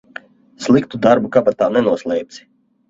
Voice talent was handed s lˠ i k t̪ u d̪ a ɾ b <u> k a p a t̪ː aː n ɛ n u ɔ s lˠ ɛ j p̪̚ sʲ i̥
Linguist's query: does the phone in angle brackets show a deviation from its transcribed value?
no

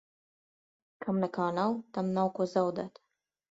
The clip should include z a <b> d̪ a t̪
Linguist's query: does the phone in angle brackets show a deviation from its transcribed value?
yes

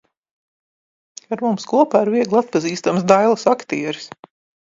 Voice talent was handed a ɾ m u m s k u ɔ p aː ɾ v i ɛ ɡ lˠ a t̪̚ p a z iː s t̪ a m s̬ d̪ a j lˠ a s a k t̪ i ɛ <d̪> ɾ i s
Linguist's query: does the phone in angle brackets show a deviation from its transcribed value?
yes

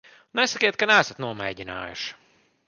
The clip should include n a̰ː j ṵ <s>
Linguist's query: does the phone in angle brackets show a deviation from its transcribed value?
yes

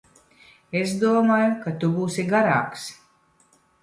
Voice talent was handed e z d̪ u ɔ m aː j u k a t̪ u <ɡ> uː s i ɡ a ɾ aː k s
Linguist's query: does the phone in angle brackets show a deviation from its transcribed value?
yes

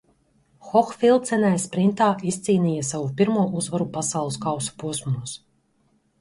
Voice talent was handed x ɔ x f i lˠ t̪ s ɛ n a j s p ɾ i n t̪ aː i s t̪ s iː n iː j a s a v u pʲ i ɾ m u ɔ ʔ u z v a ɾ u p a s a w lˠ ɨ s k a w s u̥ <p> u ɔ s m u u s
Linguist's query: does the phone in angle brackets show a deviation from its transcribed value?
no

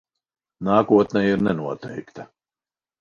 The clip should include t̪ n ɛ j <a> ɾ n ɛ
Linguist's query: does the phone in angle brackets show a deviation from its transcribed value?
yes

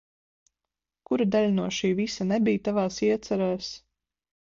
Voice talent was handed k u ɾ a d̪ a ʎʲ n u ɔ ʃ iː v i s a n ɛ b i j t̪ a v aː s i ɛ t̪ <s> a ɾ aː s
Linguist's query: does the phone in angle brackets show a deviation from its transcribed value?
no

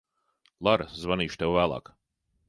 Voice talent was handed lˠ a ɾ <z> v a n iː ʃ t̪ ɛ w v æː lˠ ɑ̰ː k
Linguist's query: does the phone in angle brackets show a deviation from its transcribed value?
no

